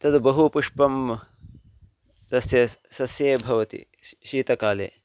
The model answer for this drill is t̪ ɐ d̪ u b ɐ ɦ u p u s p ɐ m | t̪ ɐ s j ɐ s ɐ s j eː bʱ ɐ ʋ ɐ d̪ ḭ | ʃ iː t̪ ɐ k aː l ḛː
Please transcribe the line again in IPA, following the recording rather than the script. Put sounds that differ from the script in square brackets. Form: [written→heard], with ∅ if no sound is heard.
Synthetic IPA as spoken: t̪ ɐ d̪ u b ɐ ɦ u p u [s→ʂ] p ɐ m | t̪ ɐ s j ɐ s ɐ s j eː bʱ ɐ ʋ ɐ [d̪→t̪] ḭ | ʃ iː t̪ ɐ k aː l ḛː